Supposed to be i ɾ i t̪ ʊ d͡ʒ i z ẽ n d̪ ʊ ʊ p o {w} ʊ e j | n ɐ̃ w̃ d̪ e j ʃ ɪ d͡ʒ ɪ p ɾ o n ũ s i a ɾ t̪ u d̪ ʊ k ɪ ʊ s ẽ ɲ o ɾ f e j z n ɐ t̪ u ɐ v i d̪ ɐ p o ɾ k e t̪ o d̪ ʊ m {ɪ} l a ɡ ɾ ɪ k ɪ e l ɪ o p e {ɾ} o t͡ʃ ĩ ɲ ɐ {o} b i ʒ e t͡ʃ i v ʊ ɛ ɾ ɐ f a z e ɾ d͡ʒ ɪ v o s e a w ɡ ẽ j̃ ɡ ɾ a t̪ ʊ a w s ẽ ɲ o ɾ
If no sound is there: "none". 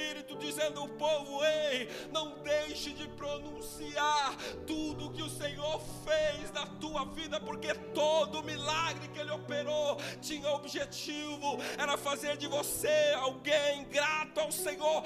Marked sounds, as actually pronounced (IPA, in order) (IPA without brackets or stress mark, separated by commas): v, i, ɾ, o